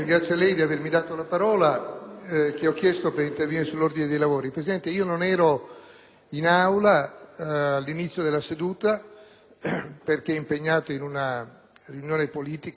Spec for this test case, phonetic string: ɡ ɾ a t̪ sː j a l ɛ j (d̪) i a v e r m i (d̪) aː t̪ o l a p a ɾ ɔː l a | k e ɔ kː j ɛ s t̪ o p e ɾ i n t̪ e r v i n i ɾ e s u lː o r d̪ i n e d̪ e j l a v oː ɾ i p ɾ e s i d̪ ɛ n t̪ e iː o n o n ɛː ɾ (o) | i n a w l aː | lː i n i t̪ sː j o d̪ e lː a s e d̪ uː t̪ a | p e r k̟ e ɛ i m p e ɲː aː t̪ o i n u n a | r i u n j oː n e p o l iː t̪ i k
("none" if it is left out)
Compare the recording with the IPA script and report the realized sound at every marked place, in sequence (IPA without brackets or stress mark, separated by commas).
d̪, d̪, o